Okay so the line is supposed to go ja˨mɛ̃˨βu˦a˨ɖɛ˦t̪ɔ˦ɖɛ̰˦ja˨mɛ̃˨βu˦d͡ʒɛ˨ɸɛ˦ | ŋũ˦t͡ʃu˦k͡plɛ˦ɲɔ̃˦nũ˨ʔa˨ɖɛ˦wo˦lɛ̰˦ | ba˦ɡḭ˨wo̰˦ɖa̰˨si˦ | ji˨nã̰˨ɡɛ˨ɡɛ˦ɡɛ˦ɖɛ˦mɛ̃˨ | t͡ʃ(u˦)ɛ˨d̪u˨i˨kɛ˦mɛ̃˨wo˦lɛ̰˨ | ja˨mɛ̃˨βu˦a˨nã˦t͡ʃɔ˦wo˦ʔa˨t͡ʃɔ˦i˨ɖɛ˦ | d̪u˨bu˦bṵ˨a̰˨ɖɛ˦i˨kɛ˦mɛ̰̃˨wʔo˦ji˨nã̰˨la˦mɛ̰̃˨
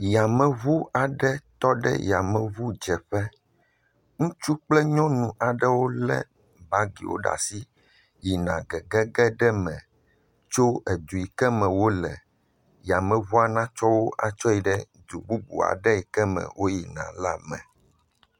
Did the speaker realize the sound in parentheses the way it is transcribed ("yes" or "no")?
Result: no